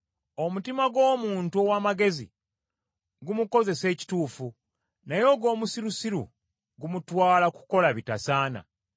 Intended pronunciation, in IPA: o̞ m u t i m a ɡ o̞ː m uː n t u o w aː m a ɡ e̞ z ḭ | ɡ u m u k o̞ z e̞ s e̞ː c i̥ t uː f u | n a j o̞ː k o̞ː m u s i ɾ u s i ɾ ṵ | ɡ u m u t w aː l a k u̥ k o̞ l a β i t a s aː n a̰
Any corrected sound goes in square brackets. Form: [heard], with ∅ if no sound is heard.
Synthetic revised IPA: o̞ m u t i m a ɡ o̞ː m uː n t u o w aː m a ɡ e̞ z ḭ | ɡ u m u k o̞ z e̞ s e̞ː c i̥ t uː f u | n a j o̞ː [ɡ] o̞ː m u s i ɾ u s i ɾ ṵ | ɡ u m u t w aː l a k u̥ k o̞ l a β i t a s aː n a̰